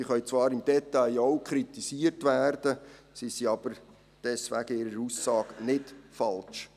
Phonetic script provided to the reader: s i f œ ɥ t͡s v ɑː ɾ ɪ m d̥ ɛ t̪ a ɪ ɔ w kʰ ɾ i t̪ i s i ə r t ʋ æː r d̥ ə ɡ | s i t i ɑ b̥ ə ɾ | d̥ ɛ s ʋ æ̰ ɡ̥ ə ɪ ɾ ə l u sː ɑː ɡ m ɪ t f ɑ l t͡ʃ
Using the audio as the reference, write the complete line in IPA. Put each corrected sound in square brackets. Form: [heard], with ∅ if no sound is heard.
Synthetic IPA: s i [χ] œ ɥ t͡s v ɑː ɾ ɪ m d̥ ɛ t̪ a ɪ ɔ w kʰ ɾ i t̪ i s i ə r t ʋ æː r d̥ ə [∅] | s i [s] i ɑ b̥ ə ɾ | d̥ ɛ s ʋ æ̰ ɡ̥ ə ɪ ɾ ə [ɾ] u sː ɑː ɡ [n] ɪ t f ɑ l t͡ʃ